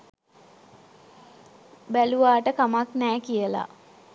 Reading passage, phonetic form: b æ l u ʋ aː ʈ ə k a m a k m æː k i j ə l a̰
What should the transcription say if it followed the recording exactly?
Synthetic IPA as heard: b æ l u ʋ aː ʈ ə k a m a k n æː k i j ə l a̰